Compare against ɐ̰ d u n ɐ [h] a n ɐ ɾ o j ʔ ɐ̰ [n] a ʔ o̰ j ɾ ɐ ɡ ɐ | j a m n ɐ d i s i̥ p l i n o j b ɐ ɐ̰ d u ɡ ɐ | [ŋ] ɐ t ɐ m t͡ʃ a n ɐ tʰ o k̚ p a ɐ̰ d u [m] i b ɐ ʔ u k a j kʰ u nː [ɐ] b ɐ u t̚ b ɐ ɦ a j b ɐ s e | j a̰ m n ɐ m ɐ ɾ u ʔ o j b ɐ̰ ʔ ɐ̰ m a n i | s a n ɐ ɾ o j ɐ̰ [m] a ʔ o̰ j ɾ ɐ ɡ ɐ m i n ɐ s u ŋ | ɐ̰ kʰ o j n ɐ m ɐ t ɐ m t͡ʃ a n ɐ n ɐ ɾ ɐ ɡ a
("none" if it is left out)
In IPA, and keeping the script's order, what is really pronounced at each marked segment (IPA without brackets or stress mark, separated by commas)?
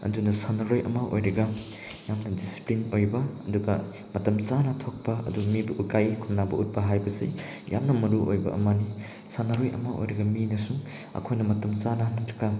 s, m, m, m, a, m